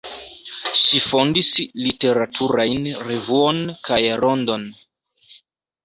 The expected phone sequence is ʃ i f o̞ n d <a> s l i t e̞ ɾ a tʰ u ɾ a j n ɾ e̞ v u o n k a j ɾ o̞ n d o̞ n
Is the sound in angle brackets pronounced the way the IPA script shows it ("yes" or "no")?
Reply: no